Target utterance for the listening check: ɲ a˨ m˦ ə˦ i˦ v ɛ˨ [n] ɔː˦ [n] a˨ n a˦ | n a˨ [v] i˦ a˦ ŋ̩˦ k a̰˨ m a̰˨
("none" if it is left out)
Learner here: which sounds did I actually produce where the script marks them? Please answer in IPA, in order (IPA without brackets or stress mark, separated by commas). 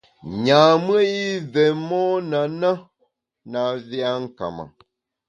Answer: m, n, v